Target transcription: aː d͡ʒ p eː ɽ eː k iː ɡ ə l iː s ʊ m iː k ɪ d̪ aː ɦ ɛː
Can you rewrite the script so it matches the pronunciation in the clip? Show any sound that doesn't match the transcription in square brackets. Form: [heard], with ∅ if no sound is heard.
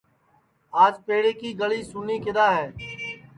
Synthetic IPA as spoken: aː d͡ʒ p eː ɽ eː k iː ɡ ə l iː s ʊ [n] iː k ɪ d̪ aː ɦ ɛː